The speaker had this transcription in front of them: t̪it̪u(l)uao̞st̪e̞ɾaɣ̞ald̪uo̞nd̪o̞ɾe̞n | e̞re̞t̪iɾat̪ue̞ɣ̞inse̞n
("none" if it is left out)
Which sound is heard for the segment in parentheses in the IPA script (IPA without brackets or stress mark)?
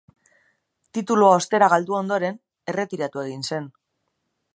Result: l